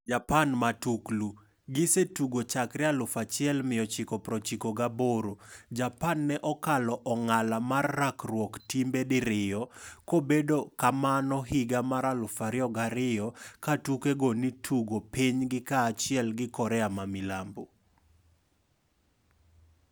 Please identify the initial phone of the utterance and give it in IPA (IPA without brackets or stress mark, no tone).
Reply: d͡ʒ